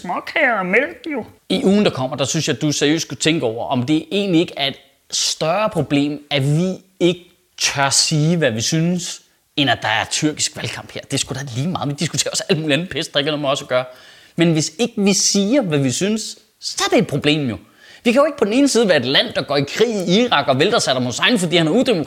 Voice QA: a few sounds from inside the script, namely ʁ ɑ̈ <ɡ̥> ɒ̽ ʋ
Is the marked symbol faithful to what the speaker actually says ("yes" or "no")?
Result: yes